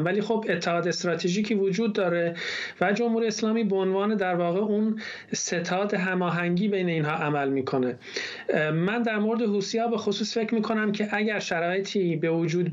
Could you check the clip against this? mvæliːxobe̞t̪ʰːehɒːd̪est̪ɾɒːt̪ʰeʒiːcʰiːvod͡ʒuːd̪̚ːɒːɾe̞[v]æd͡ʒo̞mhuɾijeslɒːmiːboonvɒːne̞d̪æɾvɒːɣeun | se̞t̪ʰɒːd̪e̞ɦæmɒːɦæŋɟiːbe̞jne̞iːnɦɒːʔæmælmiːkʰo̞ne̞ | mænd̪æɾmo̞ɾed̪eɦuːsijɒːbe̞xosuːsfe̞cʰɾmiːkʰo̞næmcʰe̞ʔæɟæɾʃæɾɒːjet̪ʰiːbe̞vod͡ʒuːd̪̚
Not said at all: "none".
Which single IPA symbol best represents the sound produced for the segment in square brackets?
v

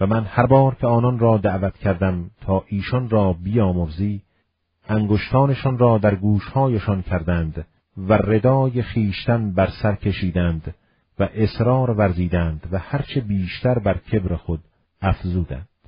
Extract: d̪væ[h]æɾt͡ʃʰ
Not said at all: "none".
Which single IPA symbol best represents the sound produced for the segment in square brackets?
h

